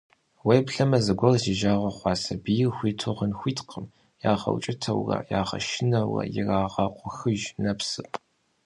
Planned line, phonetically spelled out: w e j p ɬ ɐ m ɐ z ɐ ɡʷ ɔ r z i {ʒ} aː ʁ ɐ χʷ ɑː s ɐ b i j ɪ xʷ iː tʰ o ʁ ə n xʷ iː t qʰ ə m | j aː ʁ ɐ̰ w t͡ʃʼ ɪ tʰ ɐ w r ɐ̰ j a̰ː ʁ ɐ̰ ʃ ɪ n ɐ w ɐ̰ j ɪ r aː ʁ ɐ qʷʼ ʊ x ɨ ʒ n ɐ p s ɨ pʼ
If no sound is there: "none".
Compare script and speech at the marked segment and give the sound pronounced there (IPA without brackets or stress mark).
ʒ